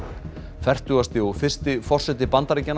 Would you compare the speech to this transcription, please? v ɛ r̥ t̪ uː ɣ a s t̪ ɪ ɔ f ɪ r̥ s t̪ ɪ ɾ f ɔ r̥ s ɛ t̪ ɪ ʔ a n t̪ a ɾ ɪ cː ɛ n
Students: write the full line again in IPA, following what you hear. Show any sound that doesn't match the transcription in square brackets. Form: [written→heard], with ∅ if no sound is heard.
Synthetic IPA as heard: [v→f] ɛ r̥ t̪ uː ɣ a s t̪ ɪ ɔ f ɪ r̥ s t̪ ɪ [ɾ→∅] f ɔ r̥ s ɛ t̪ ɪ [ʔ→p] a n t̪ a ɾ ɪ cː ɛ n